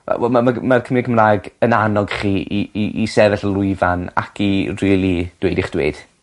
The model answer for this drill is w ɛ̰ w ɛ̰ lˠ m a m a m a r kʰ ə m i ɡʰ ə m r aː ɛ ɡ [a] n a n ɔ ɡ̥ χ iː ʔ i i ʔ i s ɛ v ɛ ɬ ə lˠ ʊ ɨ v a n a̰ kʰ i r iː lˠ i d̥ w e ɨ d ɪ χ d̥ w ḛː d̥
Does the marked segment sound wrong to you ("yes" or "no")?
yes